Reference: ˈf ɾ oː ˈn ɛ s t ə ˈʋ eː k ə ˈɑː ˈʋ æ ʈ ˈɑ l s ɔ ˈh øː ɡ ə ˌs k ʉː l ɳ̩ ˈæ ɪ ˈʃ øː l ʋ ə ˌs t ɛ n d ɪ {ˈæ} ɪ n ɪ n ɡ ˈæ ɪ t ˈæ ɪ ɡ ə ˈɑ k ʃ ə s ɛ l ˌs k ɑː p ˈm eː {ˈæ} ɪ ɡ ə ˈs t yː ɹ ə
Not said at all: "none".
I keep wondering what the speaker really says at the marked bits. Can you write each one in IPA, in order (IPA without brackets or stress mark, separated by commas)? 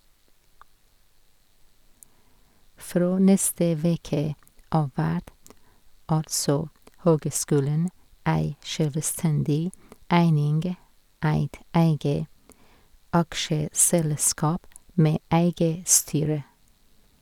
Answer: æ, æ